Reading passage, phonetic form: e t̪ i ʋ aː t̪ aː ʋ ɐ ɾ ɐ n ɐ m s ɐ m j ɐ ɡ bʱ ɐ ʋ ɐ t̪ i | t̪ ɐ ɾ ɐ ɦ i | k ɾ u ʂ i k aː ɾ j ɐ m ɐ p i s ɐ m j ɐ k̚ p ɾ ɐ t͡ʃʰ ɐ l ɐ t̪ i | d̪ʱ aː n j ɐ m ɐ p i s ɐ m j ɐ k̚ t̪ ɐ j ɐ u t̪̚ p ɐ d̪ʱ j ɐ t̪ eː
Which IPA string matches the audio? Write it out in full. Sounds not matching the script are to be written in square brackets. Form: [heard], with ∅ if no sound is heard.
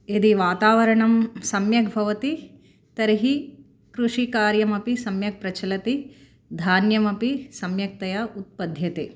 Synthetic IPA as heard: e [d̪] i ʋ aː t̪ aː ʋ ɐ ɾ ɐ [ɳ] ɐ m s ɐ m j ɐ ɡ bʱ ɐ ʋ ɐ t̪ i | t̪ ɐ ɾ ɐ ɦ i | k ɾ u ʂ i k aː ɾ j ɐ m ɐ p i s ɐ m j ɐ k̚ p ɾ ɐ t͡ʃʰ ɐ l ɐ t̪ i | d̪ʱ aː n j ɐ m ɐ p i s ɐ m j ɐ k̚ t̪ ɐ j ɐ u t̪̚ p ɐ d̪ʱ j ɐ t̪ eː